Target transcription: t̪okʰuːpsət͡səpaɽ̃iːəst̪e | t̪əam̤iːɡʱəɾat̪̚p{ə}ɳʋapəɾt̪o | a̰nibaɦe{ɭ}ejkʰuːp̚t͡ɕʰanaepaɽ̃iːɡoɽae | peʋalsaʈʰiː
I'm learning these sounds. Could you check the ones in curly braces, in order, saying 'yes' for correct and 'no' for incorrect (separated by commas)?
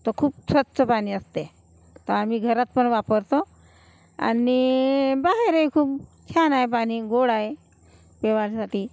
yes, no